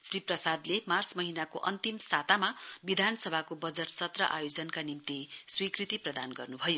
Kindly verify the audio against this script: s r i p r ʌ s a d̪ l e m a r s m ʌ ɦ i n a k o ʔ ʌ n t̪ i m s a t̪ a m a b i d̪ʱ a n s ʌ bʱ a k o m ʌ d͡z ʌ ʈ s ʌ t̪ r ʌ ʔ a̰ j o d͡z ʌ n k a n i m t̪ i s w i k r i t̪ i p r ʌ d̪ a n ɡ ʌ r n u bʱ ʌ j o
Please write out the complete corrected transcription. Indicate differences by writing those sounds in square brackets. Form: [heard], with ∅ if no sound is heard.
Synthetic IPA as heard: s r i p r ʌ s a d̪ l e m a r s m ʌ ɦ i n a k o ʔ ʌ n t̪ i m s a t̪ a m a b i d̪ʱ a n s ʌ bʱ a k o [b] ʌ d͡z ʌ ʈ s ʌ t̪ r ʌ ʔ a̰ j o d͡z ʌ n k a n i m t̪ i s w i k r i t̪ i p r ʌ d̪ a n ɡ ʌ r n u bʱ ʌ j o